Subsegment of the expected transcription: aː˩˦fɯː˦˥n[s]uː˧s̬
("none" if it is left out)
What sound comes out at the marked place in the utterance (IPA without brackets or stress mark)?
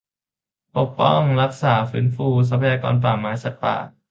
f